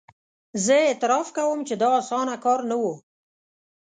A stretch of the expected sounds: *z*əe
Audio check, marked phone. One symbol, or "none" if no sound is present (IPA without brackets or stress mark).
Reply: z